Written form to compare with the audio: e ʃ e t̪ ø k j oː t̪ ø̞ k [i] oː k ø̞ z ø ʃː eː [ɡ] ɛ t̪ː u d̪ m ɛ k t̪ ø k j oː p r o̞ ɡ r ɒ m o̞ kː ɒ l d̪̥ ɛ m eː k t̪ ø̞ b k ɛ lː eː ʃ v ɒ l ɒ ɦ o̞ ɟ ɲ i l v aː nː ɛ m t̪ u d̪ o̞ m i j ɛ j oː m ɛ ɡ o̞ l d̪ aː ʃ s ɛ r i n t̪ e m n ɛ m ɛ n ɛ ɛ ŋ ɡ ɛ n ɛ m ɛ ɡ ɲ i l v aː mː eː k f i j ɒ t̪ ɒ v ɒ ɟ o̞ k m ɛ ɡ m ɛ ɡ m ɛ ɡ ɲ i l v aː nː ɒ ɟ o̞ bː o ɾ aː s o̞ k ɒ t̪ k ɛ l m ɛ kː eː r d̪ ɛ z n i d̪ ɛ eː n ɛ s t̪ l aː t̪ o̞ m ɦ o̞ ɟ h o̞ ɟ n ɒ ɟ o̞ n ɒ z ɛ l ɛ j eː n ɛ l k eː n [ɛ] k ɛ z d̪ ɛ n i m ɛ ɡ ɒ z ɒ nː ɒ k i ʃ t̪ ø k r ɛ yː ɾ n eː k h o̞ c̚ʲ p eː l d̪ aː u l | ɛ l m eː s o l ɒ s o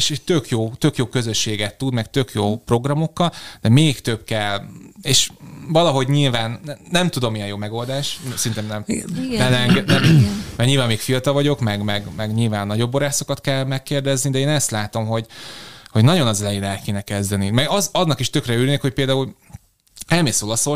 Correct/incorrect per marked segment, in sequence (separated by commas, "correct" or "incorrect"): incorrect, correct, correct